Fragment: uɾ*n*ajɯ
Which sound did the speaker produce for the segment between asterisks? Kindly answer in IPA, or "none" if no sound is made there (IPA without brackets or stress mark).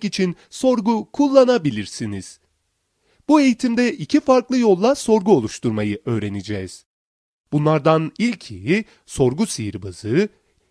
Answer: m